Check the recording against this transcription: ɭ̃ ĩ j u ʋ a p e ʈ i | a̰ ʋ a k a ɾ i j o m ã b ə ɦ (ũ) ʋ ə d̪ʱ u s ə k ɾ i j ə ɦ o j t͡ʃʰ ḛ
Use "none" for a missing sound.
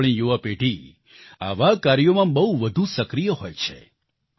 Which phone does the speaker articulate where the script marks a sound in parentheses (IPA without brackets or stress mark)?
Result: u